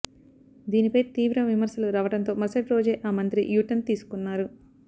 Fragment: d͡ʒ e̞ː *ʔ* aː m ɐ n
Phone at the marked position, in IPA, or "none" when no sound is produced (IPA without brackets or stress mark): ʔ